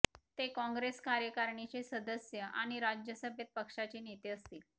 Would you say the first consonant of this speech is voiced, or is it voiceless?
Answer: voiceless